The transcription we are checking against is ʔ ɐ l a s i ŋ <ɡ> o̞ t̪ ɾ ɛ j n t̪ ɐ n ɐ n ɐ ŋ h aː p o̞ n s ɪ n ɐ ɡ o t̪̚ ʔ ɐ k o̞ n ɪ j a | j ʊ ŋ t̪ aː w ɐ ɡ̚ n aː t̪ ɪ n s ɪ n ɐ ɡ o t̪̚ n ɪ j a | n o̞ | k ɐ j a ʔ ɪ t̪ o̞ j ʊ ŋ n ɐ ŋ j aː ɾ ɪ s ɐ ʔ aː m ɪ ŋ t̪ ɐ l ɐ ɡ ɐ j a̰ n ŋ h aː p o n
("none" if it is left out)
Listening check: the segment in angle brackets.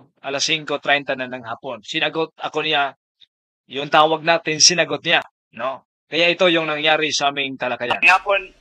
k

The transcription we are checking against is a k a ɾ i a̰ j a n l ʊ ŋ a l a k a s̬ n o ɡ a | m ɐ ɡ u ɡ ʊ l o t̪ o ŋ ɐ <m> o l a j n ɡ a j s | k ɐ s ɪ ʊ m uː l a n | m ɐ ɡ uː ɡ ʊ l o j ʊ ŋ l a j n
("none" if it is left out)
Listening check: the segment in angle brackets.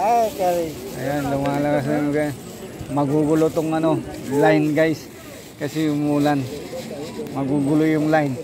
n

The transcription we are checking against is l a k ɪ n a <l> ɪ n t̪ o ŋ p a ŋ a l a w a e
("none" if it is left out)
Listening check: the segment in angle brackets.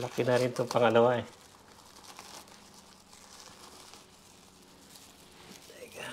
ɾ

